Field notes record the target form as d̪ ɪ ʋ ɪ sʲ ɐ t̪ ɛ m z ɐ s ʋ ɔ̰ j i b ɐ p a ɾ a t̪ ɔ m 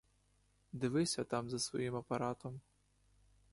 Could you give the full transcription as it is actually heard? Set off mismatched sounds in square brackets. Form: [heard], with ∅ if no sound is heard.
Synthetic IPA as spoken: d̪ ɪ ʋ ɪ sʲ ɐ t̪ [a] m z ɐ s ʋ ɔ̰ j i [m] ɐ p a ɾ a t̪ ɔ m